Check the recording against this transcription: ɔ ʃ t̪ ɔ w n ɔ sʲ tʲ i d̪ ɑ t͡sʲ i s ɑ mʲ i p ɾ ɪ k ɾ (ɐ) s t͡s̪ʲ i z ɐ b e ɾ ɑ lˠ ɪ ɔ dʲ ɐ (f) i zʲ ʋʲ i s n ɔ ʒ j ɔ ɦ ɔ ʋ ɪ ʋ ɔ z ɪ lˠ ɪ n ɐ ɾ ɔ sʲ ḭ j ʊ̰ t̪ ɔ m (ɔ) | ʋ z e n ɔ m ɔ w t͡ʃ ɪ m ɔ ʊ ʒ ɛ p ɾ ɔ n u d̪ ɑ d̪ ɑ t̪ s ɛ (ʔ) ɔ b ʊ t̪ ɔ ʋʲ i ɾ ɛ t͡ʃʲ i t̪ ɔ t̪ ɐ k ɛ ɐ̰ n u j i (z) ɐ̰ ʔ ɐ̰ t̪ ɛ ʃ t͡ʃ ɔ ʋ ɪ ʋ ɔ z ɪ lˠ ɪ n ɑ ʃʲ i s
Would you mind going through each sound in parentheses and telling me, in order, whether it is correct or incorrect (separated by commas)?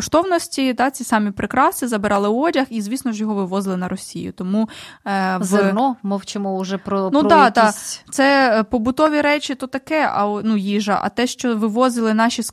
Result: incorrect, incorrect, incorrect, incorrect, incorrect